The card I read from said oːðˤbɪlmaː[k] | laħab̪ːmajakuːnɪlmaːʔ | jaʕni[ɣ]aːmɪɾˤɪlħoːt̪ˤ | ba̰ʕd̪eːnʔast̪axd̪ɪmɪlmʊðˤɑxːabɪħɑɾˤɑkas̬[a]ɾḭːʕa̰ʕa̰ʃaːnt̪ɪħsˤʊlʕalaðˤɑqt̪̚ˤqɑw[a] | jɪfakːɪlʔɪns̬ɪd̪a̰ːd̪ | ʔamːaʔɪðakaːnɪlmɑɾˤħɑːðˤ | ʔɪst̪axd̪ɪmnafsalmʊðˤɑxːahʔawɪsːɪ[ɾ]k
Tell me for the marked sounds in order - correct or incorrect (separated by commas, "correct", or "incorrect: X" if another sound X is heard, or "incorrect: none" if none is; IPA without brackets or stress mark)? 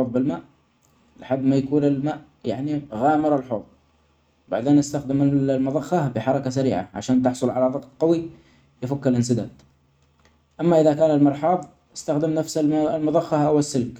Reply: incorrect: ʔ, correct, correct, incorrect: i, incorrect: l